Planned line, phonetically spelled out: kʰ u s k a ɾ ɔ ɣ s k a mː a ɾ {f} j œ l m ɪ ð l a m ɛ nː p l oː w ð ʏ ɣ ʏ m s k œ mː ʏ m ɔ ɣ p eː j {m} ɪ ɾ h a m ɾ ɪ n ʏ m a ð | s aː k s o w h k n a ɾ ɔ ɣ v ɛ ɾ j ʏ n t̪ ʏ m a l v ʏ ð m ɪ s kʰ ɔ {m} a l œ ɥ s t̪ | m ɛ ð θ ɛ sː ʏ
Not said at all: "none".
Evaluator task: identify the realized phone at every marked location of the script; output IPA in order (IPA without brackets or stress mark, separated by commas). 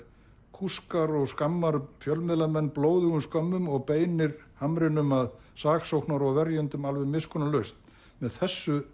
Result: f, n, n